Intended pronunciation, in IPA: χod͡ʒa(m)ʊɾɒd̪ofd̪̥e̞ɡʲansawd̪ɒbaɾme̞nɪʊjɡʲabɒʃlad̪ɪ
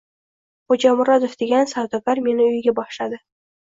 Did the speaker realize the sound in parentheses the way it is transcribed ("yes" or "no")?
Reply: yes